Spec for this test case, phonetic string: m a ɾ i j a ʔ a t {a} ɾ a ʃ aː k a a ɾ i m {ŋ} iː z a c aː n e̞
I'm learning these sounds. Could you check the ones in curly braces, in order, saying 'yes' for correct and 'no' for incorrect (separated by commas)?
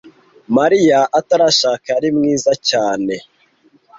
yes, yes